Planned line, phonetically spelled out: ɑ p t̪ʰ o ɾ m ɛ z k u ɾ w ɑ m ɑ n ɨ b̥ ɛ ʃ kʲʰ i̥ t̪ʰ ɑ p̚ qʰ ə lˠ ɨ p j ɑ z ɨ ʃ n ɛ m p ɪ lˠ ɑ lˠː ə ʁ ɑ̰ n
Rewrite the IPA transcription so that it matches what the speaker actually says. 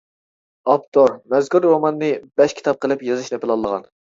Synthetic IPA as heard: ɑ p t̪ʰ o ɾ m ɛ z k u ɾ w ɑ m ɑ nː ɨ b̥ ɛ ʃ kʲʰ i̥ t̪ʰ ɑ p̚ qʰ ə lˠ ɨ p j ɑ z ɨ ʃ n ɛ p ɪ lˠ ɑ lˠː ə ʁ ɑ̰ n